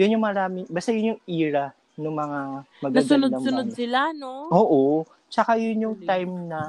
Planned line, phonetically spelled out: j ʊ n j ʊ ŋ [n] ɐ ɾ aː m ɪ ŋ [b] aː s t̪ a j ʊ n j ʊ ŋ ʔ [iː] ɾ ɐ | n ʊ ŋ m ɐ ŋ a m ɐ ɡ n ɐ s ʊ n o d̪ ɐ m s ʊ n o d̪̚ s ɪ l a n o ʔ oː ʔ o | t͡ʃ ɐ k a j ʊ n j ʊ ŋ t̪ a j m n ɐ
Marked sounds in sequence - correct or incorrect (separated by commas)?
incorrect, correct, correct